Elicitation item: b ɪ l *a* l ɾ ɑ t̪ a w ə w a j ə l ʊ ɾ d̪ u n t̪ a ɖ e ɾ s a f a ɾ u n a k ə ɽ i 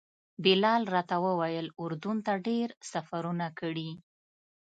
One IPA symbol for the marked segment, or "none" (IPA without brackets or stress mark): ɑ